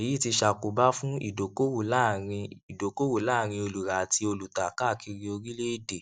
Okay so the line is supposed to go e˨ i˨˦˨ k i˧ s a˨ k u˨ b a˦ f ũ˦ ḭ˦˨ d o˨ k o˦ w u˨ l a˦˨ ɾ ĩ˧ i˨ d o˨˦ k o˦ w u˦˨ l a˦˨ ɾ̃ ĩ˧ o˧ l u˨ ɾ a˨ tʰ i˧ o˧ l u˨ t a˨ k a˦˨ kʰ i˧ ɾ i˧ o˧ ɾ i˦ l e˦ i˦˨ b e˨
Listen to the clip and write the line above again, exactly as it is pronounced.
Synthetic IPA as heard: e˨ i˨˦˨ t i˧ ʃ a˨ k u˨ b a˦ f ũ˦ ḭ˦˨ d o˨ k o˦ w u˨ l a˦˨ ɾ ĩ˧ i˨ d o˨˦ k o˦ w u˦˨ l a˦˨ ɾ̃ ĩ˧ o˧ l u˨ ɾ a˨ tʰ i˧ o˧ l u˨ t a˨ k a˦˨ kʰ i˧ ɾ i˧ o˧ ɾ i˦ l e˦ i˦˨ d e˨